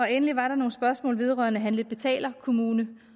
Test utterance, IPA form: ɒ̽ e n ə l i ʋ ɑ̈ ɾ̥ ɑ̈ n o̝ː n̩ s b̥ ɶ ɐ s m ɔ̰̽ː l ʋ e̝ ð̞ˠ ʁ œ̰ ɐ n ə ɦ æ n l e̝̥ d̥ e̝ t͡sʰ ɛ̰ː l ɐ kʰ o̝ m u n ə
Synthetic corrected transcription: ɒ̽ e n ə l i ʋ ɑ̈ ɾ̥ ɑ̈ n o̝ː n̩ s b̥ ɶ ɐ s m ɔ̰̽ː l ʋ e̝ ð̞ˠ ʁ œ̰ ɐ n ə ɦ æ n l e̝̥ b̥ e̝ t͡sʰ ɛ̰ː l ɐ kʰ o̝ m uː n ə

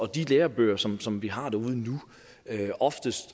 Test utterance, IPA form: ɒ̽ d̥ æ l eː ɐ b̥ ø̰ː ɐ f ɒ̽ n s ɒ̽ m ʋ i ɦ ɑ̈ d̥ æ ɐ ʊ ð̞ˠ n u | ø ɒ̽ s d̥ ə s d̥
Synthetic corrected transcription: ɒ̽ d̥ i l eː ɐ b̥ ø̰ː ɐ s ɒ̽ m s ɒ̽ m ʋ i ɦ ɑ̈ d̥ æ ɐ u ð̞ˠ n u | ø ɒ̽ f d̥ ə s d̥

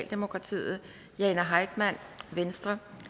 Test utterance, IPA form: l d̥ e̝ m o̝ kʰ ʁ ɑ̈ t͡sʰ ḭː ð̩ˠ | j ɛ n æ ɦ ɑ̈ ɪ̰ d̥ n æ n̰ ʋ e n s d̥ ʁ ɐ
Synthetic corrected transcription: l d̥ e̝ m o̝ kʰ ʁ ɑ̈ t͡sʰ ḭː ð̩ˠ | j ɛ n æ ɦ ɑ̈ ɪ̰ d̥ m æ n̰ ʋ e n s d̥ ʁ ɐ

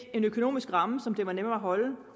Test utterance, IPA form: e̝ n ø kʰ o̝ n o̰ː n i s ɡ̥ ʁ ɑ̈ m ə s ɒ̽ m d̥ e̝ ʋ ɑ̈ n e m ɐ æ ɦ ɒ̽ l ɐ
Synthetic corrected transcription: e̝ n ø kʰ o̝ n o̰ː m i s ɡ̥ ʁ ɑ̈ m ə s ɒ̽ m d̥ e̝ ʋ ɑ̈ n e m ɐ æ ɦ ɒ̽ l ə

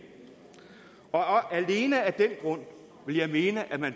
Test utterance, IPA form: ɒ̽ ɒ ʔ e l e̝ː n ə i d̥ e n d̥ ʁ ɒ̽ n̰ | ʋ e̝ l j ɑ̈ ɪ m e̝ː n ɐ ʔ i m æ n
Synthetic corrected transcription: ɒ̽ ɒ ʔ æ l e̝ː n ə æ d̥ e n ɡ̥ ʁ ɔ̽ n̰ | ʋ e̝ l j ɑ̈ ɪ m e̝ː n ə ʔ æ m æ n

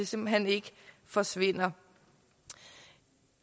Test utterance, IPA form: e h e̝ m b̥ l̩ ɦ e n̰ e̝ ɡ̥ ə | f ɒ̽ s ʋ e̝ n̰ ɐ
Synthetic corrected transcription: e s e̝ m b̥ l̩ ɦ e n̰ e̝ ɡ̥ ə | f ɒ̽ s ʋ e̝ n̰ ɐ

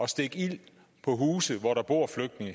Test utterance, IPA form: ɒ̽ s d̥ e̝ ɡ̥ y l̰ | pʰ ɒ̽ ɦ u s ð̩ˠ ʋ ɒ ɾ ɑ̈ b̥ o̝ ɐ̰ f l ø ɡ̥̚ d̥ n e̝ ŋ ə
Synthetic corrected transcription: ɒ̽ s d̥ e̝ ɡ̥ i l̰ | pʰ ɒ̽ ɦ uː s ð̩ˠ ʋ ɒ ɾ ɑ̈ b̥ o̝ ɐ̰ f l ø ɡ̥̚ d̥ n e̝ ŋ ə

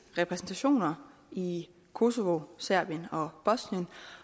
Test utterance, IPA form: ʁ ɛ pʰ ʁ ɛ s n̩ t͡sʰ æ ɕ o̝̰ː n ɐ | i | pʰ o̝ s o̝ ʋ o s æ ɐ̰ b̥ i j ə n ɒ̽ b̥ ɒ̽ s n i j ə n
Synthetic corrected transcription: ʁ ɛ pʰ ʁ ɛ s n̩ t͡sʰ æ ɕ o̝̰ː n ɐ | i | kʰ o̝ s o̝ ʋ o s æ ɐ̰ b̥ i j ə n ɒ̽ b̥ ɒ̽ s n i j ə n

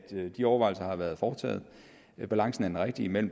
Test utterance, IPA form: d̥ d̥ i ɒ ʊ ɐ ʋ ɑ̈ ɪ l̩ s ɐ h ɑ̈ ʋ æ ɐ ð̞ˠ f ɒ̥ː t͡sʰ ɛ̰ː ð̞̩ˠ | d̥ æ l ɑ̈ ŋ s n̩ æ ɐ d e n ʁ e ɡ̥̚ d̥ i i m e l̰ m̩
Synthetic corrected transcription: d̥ d̥ i ɒ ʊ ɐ ʋ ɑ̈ ɪ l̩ s ɐ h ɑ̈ ʋ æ ɐ ð̞ˠ f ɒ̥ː t͡sʰ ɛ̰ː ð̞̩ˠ | b̥ æ l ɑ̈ ŋ s n̩ æ ɐ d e n ʁ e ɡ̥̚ d̥ i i m e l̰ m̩

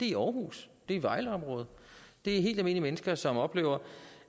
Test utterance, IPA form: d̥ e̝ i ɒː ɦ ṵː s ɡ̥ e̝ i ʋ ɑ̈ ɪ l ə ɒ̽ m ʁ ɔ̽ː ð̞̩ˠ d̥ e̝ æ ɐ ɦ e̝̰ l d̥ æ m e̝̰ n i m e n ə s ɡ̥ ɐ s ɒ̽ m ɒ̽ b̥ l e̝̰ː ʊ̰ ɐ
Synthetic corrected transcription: d̥ e̝ i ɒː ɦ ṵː s d̥ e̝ i ʋ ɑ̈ ɪ l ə ɒ̽ m ʁ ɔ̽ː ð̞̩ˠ d̥ e̝ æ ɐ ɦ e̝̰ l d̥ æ m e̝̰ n i m e n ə s ɡ̥ ɐ s ɒ̽ m ɒ̽ b̥ l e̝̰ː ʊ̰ ɐ

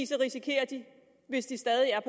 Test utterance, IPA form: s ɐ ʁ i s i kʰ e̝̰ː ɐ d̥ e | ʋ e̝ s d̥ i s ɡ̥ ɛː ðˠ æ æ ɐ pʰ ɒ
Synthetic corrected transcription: s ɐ ʁ i s i kʰ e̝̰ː ɐ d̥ i | ʋ e̝ s d̥ i s d̥ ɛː ðˠ i æ ɐ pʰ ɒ

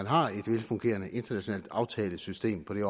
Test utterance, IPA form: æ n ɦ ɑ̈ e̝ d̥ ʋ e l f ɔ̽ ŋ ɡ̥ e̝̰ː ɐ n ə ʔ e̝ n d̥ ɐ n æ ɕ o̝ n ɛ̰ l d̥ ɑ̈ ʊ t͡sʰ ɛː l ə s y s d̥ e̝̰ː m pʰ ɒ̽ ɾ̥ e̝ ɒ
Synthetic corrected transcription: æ n ɦ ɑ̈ e̝ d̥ ʋ e l f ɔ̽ ŋ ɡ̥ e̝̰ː ɐ n ə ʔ e̝ n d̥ ɐ n æ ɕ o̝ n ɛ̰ l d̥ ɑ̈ ʊ t͡sʰ ɛː l ə s y s d̥ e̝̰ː m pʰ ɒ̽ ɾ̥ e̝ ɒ

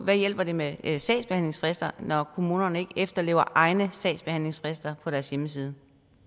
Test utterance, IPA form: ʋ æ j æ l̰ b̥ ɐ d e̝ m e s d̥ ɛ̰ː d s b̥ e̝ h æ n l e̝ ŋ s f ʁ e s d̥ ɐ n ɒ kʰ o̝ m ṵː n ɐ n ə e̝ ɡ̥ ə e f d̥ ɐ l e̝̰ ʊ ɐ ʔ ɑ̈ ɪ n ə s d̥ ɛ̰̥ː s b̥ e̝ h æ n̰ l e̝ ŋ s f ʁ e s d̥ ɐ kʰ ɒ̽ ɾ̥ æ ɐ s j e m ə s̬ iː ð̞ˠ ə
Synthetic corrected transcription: ʋ æ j e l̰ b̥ ɐ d e̝ m e s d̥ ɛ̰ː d s b̥ e̝ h æ n l e̝ ŋ s f ʁ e s d̥ ɐ n ɒ kʰ o̝ m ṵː n ɐ n ə e̝ ɡ̥ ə e f d̥ ɐ l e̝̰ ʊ ɐ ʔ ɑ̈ ɪ n ə s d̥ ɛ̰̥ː s b̥ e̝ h æ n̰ l e̝ ŋ s f ʁ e s d̥ ɐ pʰ ɒ̽ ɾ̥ æ ɐ s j e m ə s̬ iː ð̞ˠ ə

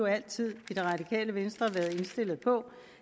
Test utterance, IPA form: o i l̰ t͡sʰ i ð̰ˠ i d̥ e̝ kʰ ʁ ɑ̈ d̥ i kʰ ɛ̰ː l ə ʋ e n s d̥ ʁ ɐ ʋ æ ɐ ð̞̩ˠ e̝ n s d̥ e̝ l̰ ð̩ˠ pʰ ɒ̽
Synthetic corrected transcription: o æ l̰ t͡sʰ i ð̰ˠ i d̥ e̝ ʁ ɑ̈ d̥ i kʰ ɛ̰ː l ə ʋ e n s d̥ ʁ ɐ ʋ æ ɐ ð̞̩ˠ e̝ n s d̥ e̝ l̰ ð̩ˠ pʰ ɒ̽

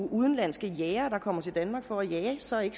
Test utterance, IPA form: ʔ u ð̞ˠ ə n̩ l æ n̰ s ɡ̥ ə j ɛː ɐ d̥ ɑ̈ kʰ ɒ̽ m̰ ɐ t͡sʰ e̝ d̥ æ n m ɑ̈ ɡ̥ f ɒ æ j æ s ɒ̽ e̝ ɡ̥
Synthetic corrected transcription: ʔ u ð̞ˠ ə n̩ l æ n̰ s ɡ̥ ə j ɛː ɐ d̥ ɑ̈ kʰ ɒ̽ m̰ ɐ t͡sʰ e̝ d̥ æ n m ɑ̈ ɡ̥ f ɒ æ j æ s ɒ̽ e̝ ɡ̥

